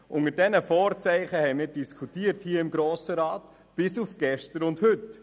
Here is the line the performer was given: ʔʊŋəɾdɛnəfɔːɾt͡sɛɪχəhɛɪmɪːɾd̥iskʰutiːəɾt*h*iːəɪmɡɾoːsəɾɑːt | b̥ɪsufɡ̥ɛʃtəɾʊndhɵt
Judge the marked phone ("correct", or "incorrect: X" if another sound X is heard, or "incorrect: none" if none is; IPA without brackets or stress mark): correct